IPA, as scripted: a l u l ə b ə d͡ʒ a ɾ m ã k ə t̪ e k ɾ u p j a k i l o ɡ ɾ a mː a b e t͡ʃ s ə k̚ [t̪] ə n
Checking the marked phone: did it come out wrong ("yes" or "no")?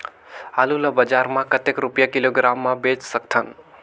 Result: yes